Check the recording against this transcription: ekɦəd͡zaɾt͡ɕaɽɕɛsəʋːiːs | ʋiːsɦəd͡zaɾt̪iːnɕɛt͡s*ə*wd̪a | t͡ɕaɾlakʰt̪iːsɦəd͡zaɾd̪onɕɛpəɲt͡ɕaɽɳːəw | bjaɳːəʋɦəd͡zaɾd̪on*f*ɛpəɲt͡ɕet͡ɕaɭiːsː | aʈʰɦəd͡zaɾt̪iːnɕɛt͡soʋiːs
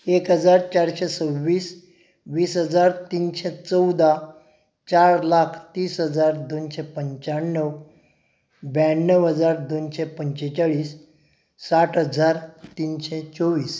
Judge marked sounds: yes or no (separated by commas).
yes, no